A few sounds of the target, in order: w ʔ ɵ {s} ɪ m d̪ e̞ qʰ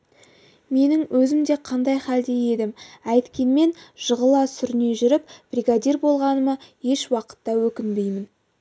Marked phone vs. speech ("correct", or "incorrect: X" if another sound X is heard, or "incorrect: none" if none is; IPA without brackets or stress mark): incorrect: z